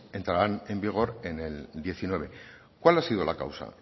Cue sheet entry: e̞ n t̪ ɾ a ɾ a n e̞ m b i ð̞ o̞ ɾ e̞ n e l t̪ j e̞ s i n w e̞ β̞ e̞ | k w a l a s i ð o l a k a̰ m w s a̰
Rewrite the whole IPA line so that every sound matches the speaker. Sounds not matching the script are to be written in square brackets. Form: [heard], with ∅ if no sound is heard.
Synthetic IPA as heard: e̞ n t̪ ɾ a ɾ a n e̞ m b i [ɣ̞] o̞ ɾ e̞ n e l [d̪] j e̞ [θ] i n w e̞ β̞ e̞ | k w a l a s i ð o l a k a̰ [∅] w s a̰